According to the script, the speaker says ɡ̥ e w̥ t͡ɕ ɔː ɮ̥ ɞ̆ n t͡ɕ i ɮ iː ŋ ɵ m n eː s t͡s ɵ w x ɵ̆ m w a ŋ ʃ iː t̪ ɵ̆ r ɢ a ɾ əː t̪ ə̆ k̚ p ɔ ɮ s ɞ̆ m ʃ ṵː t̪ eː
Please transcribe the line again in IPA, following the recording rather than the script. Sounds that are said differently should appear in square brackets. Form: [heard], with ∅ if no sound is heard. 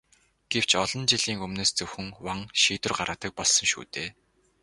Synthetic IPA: ɡ̥ e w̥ t͡ɕ [ɔ] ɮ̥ ɞ̆ n t͡ɕ i ɮ iː ŋ ɵ m n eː s t͡s ɵ w x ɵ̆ [ŋ] w a ŋ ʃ iː t̪ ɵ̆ r ɢ a ɾ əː t̪ ə̆ k̚ p ɔ ɮ s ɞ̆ [ŋ] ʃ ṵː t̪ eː